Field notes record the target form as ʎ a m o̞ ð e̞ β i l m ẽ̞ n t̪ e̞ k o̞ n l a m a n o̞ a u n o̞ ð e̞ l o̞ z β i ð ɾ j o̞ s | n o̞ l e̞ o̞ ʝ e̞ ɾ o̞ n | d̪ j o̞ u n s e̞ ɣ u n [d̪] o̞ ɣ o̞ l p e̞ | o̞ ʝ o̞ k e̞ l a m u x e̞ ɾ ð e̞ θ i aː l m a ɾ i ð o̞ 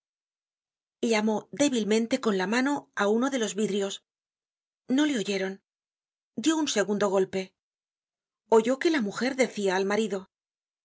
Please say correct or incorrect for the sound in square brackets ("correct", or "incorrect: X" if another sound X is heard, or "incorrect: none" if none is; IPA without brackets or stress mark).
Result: correct